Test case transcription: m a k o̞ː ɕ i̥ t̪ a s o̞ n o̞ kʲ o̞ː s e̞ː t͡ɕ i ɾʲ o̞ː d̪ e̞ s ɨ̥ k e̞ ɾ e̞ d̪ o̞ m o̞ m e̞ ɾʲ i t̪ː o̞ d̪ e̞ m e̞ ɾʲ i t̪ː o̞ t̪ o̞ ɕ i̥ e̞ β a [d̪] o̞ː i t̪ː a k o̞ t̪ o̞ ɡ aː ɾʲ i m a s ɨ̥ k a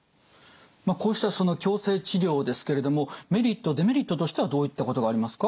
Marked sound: correct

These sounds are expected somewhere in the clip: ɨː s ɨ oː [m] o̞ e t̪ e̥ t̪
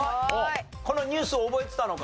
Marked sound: incorrect: b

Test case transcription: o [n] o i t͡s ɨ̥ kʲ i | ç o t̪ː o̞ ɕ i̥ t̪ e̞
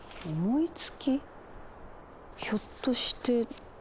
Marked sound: incorrect: m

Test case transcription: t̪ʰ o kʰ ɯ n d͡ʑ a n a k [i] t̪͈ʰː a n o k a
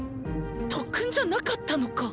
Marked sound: incorrect: a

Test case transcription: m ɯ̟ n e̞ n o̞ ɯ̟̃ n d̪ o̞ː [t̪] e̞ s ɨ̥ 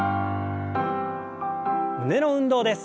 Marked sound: incorrect: d̪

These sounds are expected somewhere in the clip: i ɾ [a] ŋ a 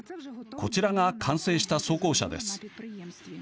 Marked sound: correct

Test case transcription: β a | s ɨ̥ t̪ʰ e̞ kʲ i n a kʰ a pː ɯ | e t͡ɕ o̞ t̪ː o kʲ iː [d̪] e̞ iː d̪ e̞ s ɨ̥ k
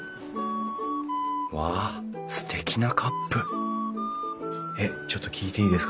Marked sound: incorrect: t̪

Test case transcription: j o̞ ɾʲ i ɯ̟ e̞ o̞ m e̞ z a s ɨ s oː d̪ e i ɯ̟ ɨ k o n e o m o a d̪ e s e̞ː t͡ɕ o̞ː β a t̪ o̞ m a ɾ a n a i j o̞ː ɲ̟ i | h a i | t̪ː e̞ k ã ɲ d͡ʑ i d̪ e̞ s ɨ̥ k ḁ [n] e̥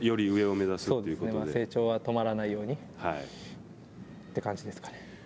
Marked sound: correct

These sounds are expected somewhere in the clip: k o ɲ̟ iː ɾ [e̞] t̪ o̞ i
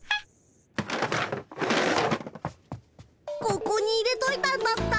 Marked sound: correct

